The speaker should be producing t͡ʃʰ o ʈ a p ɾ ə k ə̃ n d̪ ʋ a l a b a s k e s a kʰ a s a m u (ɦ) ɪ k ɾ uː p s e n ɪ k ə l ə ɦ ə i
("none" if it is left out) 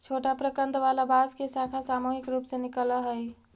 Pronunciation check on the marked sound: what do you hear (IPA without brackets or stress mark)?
ɦ